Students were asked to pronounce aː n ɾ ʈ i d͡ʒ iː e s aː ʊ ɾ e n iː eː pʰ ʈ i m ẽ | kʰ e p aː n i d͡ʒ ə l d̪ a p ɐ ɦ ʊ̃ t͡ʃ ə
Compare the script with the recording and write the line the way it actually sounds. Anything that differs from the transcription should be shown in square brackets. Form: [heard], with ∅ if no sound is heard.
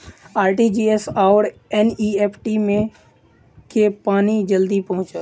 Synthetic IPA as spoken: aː [∅] ɾ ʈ i d͡ʒ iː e s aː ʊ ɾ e n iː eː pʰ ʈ i m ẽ | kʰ e p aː n i d͡ʒ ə l d̪ [i] p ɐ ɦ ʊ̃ t͡ʃ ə